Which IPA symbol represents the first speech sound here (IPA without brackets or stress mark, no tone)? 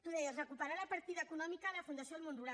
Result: t̪